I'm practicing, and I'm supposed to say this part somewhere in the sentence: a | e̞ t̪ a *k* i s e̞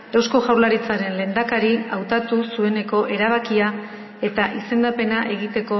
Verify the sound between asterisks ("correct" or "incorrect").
incorrect